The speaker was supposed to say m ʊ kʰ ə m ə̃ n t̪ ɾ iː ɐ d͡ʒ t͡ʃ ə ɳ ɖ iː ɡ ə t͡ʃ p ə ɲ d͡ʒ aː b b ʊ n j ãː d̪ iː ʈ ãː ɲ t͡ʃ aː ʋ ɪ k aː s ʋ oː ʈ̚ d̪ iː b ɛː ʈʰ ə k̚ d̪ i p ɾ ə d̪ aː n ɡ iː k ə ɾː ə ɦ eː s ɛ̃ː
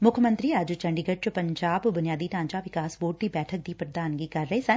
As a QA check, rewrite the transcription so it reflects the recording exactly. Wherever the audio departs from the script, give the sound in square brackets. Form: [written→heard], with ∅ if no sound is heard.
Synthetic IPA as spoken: m ʊ kʰ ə m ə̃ n t̪ ɾ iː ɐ d͡ʒ t͡ʃ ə ɳ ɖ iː ɡ ə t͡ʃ p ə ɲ d͡ʒ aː b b ʊ n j [ãː→aː] d̪ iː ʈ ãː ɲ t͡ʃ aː ʋ ɪ k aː s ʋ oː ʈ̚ d̪ iː b ɛː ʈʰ ə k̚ d̪ [i→iː] p ɾ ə d̪ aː n ɡ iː k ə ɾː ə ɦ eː s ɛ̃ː